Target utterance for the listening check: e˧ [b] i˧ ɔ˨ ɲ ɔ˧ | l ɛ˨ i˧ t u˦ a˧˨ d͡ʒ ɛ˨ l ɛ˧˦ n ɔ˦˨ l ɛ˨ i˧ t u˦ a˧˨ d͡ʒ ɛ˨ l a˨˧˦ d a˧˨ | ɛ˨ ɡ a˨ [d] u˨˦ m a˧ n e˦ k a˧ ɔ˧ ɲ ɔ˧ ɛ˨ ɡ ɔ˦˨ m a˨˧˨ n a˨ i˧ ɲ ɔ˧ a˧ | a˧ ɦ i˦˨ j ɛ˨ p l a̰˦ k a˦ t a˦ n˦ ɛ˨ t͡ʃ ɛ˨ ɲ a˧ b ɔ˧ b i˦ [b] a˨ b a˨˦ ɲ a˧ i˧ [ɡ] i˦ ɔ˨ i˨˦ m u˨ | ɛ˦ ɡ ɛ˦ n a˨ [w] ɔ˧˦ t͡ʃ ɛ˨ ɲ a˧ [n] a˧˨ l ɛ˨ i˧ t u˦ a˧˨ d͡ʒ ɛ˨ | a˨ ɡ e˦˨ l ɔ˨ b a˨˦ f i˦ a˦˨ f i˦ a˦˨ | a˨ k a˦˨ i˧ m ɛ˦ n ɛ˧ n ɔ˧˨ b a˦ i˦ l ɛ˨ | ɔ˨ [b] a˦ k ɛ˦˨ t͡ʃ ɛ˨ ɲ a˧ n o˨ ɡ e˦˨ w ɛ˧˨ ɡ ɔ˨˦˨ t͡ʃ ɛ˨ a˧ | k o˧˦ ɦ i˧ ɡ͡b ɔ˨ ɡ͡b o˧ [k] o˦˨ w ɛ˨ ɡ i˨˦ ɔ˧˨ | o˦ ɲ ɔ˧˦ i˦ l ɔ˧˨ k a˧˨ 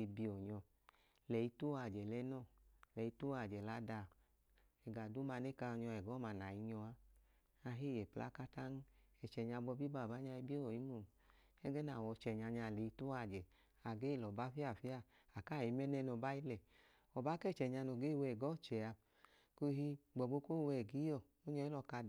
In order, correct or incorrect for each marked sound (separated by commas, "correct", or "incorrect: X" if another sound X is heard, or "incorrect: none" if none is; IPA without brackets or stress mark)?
correct, correct, correct, incorrect: b, correct, incorrect: ɲ, correct, correct